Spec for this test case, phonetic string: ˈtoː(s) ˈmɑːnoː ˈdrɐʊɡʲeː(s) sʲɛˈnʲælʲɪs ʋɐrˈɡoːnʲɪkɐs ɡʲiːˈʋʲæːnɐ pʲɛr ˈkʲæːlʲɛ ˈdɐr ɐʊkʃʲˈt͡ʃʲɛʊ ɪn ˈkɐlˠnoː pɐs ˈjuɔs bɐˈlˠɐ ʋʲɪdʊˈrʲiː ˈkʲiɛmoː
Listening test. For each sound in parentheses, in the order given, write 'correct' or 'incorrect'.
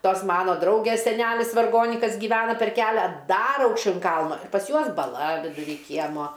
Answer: correct, correct

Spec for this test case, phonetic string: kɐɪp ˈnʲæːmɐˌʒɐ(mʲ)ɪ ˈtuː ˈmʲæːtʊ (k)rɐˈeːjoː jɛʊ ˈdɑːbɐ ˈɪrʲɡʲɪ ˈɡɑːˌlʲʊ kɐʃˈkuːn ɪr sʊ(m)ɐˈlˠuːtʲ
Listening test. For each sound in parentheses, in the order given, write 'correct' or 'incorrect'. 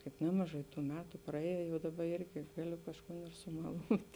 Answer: incorrect: none, incorrect: p, correct

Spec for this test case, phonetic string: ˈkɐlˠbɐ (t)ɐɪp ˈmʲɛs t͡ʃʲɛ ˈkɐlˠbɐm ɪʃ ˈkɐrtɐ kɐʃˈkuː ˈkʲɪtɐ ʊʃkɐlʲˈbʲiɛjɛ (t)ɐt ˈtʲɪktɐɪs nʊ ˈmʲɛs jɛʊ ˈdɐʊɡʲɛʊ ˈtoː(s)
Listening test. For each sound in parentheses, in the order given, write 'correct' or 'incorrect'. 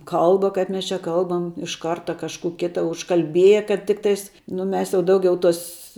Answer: incorrect: k, incorrect: k, correct

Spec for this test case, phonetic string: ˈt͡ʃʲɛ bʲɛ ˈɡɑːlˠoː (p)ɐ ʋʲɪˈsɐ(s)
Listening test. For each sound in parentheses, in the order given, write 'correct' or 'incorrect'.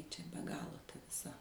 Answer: incorrect: t, incorrect: none

